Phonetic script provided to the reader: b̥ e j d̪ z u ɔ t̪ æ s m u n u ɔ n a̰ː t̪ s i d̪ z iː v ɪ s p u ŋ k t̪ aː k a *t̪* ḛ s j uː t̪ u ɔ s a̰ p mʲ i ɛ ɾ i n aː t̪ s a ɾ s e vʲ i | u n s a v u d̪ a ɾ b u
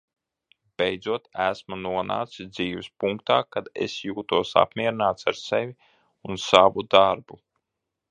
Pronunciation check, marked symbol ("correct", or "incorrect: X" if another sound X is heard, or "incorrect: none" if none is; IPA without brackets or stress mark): incorrect: d̪